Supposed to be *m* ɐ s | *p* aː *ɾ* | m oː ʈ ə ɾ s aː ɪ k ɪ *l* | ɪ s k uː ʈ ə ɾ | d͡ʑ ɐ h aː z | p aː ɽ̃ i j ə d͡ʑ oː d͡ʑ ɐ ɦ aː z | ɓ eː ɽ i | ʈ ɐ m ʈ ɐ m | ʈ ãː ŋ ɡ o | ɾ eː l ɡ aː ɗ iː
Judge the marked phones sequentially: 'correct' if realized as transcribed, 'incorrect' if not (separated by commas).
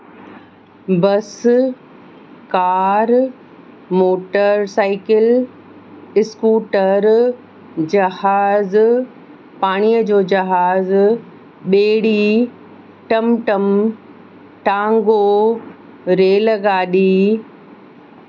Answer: incorrect, incorrect, correct, correct